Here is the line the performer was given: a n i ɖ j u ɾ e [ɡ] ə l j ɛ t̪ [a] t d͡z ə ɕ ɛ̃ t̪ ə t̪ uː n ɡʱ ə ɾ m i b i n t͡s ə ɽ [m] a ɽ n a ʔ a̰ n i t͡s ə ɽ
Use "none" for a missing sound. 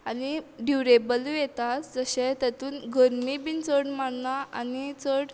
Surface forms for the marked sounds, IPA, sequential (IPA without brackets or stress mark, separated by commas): b, a, m